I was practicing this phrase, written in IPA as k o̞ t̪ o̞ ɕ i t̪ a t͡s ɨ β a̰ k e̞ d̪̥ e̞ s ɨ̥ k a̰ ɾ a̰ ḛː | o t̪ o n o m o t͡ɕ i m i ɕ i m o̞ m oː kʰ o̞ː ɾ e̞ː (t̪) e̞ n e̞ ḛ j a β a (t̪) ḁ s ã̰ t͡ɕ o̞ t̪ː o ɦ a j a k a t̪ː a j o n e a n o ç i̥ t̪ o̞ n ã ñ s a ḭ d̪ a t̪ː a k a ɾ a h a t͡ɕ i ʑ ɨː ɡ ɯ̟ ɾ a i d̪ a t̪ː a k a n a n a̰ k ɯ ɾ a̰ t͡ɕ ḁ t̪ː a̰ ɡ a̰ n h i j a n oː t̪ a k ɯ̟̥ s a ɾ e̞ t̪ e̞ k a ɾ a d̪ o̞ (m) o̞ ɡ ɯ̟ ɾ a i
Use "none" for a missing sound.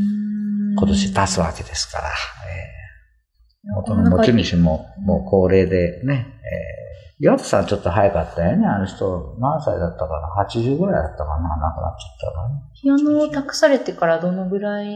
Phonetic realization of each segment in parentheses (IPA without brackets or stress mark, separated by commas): d̪, t̪, n